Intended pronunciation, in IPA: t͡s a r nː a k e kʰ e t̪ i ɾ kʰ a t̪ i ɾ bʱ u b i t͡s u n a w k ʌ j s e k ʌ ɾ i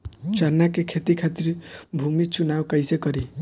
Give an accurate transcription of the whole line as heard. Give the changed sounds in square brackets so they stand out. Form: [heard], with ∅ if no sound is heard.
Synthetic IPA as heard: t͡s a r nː a k e kʰ e t̪ i [∅] kʰ a t̪ i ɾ bʱ u [m] i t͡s u n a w k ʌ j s e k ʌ ɾ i